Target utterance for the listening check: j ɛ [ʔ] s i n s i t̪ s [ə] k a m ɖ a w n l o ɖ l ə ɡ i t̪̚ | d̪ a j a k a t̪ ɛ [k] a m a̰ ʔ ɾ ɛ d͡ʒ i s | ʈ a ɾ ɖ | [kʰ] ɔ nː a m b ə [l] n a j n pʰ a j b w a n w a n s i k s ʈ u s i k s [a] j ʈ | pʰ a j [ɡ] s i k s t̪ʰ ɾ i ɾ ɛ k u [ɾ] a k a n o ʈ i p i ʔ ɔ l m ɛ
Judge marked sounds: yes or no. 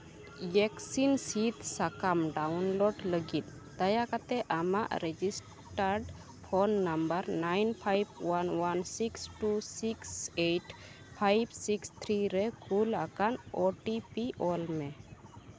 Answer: no, no, no, no, no, no, no, no

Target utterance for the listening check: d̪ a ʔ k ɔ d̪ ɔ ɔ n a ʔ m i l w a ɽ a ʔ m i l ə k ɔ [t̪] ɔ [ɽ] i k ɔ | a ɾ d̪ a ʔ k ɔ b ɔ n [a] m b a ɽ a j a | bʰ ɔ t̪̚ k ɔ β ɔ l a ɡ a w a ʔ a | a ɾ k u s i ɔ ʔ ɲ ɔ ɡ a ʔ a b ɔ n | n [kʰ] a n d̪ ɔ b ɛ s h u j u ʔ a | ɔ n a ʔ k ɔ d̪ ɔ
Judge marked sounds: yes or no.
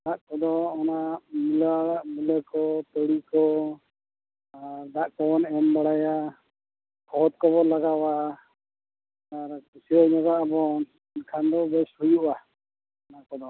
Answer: yes, yes, no, yes

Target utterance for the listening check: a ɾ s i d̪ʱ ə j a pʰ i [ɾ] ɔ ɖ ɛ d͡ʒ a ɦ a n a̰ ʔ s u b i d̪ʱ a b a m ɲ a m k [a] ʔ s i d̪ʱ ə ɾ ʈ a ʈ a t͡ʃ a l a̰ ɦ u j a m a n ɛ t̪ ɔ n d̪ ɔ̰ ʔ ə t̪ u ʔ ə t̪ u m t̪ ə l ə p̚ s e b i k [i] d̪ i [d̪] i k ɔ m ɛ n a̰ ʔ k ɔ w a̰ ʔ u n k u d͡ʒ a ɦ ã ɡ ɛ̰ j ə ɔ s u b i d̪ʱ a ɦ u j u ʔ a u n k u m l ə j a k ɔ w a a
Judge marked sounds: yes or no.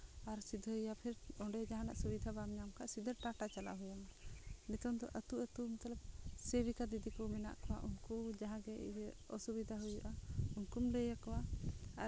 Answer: yes, yes, no, yes

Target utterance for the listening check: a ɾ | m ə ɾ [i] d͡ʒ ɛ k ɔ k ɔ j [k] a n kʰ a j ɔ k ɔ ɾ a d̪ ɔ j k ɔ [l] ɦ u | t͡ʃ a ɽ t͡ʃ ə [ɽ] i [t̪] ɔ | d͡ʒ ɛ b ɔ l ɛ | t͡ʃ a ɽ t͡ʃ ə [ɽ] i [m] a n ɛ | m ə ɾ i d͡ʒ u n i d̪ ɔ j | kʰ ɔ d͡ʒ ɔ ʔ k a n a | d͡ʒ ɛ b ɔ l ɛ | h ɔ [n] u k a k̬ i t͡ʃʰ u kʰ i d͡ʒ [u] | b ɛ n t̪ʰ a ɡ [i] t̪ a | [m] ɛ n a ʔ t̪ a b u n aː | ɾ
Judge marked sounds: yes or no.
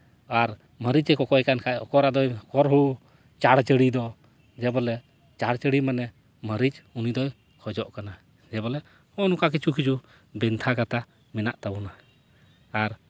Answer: yes, yes, no, yes, no, yes, yes, yes, yes, no, yes

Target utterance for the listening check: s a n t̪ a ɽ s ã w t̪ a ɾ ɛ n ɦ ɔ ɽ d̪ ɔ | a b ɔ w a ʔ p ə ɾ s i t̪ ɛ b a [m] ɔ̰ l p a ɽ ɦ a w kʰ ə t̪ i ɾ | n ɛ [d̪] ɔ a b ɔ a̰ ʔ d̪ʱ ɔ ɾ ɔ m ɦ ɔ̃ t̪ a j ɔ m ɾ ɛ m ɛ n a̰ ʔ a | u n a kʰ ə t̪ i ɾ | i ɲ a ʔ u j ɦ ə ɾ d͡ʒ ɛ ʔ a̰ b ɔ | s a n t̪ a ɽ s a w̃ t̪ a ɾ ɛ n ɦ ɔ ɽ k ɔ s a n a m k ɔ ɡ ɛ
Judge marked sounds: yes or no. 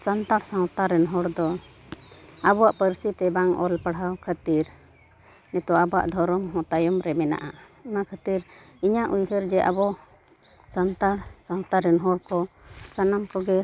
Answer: no, no

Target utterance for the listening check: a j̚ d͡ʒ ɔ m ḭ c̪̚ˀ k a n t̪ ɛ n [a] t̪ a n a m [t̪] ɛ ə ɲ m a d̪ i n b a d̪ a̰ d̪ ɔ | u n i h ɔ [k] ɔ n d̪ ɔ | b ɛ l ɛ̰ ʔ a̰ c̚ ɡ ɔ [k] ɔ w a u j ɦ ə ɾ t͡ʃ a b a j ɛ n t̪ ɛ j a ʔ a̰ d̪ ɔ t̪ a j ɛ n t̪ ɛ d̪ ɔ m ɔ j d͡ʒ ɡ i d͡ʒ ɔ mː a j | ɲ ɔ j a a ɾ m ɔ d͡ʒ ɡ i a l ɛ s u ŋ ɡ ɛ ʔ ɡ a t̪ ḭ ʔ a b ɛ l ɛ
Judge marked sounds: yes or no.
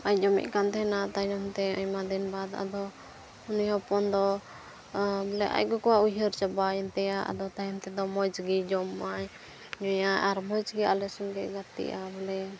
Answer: yes, yes, no, yes

